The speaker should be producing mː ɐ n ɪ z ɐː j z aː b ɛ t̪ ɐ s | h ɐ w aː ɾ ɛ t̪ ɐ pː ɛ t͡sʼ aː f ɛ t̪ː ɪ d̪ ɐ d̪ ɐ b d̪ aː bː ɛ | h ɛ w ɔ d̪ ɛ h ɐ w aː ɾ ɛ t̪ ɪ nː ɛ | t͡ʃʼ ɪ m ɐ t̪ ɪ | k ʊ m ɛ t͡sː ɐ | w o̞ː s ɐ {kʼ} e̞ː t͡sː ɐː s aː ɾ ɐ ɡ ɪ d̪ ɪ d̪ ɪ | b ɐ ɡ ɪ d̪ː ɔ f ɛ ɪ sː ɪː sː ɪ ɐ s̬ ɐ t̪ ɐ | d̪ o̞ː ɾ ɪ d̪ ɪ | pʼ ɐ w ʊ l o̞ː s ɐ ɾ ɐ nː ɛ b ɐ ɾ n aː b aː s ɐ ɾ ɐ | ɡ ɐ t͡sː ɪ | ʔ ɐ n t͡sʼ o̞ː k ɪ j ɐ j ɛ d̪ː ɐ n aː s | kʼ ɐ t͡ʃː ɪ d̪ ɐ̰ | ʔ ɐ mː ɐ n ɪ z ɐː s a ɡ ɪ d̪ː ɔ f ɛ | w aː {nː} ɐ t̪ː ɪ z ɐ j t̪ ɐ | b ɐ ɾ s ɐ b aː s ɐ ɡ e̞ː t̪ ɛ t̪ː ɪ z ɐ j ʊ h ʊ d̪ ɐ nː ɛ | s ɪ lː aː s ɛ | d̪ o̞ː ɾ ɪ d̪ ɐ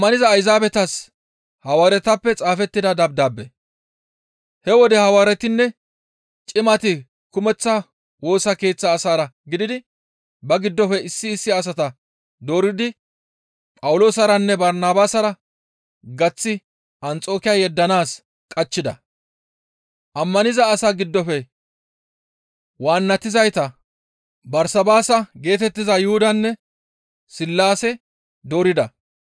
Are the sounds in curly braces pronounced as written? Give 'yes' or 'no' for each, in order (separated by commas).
no, yes